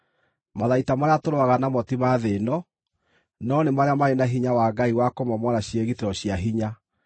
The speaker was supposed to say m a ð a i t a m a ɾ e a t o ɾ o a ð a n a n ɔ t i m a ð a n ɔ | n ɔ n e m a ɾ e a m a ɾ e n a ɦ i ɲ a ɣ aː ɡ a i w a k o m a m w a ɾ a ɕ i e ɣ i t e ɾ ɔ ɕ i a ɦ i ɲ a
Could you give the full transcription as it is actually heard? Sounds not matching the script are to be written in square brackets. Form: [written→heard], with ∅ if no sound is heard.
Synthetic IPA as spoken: m a ð a i t a m a ɾ e a t o ɾ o a [ð→ɣ] a n a [n→m] ɔ t i m a ð [a→e] n ɔ | n ɔ n e m a ɾ e a m a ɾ e n a ɦ i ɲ a [ɣ→w] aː ɡ a i w a k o m a m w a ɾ a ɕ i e ɣ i t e ɾ ɔ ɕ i a ɦ i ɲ a